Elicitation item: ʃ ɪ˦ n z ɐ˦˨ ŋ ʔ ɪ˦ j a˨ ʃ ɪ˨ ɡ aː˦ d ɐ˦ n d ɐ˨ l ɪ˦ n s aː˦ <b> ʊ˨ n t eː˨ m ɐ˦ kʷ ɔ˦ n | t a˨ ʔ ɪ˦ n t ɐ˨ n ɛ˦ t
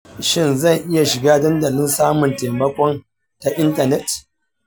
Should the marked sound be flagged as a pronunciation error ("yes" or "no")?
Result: yes